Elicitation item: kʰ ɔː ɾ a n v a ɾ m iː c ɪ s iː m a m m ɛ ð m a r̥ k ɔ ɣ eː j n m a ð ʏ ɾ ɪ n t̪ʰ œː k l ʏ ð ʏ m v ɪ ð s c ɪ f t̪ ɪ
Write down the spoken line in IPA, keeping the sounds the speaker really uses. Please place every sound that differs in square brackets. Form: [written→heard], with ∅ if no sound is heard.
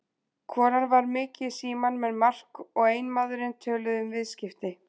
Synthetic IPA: kʰ ɔː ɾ a n v a ɾ m [iː→ɪː] c ɪ s iː m a [m→n] m ɛ ð m a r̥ k ɔ ɣ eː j n m a ð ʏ ɾ ɪ n t̪ʰ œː [k→∅] l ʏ ð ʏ m v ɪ ð s c ɪ f t̪ ɪ